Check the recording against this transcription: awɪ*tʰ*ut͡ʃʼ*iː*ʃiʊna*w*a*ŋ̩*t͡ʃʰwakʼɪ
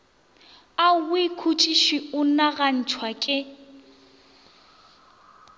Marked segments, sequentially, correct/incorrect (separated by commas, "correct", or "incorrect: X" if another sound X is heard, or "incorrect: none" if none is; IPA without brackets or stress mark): incorrect: kʰ, incorrect: i, incorrect: ɣ, incorrect: n̩